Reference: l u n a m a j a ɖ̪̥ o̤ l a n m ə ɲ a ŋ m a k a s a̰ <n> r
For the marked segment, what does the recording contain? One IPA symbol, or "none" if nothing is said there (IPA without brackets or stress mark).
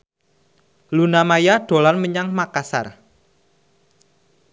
none